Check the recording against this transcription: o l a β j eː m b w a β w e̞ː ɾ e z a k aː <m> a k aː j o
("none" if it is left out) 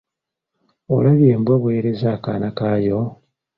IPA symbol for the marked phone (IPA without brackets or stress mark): n